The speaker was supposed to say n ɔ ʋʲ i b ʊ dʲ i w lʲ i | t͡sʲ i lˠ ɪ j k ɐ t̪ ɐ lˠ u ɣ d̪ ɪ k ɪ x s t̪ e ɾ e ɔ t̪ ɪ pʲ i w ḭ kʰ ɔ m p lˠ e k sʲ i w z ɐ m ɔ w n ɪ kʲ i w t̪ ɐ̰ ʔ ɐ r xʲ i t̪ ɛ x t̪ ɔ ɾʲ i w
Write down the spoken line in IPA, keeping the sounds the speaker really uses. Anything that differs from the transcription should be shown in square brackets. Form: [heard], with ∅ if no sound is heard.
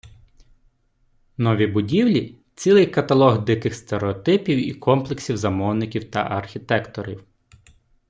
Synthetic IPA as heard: n ɔ ʋʲ i b ʊ dʲ i w lʲ i | t͡sʲ i lˠ ɪ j k ɐ t̪ ɐ lˠ [ɔ] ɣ d̪ ɪ k ɪ x s t̪ e ɾ e ɔ t̪ ɪ pʲ i w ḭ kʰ ɔ m p lˠ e k sʲ i w z ɐ m ɔ w n ɪ kʲ i w t̪ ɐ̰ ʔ ɐ r xʲ i t̪ ɛ [k] t̪ ɔ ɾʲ i w